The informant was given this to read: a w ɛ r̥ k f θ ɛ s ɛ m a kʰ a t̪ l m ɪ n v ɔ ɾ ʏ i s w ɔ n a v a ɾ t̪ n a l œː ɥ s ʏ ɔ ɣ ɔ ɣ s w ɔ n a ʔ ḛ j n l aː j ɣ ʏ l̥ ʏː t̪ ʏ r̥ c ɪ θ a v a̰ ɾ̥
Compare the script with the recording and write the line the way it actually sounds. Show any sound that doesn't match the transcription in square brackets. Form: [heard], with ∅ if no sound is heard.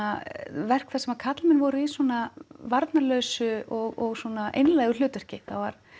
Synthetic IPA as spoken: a [v] ɛ r̥ k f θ ɛ s ɛ m a kʰ a t̪ l m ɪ n v ɔ ɾ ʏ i s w ɔ n a v a ɾ t̪ n a l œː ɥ s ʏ ɔ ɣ ɔ ɣ s w ɔ n a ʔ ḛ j n l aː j ɣ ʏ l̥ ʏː t̪ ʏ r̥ c ɪ θ a v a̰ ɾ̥